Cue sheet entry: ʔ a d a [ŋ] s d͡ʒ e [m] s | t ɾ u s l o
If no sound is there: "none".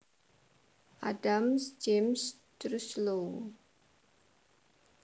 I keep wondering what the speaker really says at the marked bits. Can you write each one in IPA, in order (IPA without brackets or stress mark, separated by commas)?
m, m